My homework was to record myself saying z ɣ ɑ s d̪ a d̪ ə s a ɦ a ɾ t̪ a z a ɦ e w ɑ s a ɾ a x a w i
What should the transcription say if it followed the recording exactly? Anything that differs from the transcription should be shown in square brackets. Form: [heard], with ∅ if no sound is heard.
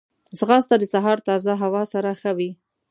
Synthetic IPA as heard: z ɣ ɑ s [t̪] a d̪ ə s a ɦ [ɑ] ɾ t̪ [ɑ] z a ɦ [a] w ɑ s a ɾ a x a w i